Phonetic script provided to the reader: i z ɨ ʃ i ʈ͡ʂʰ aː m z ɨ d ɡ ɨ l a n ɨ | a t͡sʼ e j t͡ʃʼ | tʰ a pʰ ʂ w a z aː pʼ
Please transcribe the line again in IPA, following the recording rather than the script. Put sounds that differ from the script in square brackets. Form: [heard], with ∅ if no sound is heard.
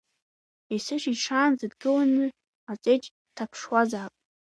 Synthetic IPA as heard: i [s] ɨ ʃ i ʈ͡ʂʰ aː [n] z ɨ d ɡ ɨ l a n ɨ | a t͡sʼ e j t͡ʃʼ | tʰ a pʰ ʂ w a z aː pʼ